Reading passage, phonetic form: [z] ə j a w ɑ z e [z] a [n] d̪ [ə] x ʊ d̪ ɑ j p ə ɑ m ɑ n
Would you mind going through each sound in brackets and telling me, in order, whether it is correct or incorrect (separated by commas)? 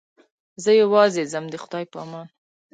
correct, correct, incorrect, correct